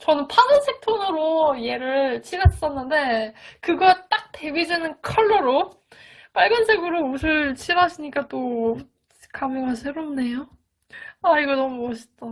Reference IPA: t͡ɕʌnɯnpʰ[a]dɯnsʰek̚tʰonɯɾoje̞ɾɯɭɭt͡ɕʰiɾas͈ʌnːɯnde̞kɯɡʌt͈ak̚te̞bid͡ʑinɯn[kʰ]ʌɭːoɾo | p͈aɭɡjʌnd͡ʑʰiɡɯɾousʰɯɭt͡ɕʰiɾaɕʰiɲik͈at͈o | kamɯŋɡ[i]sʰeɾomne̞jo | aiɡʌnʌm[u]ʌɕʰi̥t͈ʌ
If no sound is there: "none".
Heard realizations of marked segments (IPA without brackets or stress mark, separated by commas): a, kʰ, a, u